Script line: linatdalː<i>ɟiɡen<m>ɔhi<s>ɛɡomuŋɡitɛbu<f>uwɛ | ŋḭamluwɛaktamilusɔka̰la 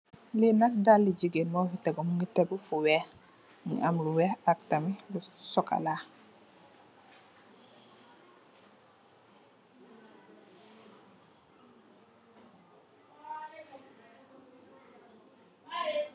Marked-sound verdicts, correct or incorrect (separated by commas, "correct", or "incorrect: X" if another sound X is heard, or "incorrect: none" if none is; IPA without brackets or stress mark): correct, correct, incorrect: t, correct